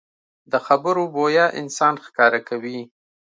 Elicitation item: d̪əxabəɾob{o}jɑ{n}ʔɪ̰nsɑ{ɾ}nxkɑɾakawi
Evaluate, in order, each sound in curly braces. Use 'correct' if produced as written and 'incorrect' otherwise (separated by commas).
correct, incorrect, incorrect